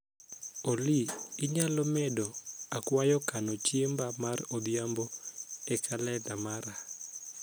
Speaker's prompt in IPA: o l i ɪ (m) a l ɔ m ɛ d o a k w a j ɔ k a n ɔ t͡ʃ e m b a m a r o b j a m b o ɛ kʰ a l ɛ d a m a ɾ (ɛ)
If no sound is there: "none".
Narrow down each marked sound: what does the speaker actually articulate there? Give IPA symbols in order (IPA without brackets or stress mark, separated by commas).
ɲ, a